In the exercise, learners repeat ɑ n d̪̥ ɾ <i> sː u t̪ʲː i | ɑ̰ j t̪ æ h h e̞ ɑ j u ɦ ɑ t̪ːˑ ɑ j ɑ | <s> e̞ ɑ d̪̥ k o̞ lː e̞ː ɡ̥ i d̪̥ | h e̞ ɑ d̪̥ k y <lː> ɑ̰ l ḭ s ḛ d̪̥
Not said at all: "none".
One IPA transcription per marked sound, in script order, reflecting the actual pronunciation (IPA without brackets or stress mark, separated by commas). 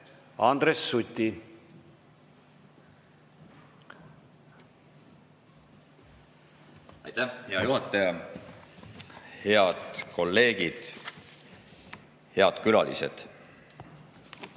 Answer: e, h, l